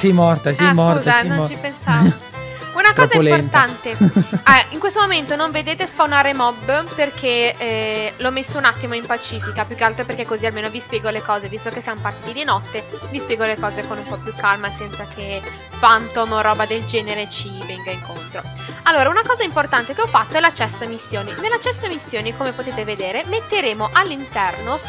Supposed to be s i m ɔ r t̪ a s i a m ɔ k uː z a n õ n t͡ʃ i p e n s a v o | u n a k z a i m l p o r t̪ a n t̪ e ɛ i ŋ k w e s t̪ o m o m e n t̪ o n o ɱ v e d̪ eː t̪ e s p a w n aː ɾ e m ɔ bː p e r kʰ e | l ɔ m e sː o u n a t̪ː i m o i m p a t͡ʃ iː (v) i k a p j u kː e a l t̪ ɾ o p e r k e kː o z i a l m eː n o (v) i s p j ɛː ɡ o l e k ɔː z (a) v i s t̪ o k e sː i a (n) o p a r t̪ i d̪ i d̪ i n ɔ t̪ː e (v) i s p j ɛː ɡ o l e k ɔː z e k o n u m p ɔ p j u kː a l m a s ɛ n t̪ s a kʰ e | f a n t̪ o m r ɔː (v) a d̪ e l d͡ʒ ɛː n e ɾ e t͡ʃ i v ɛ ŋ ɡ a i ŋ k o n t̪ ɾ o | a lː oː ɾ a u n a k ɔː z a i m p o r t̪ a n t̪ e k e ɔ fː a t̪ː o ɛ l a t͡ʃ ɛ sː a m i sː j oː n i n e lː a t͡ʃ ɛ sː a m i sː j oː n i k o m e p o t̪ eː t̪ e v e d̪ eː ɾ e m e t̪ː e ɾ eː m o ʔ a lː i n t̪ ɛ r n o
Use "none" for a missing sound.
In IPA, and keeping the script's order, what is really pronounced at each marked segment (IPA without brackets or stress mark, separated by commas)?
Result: f, v, e, m, v, b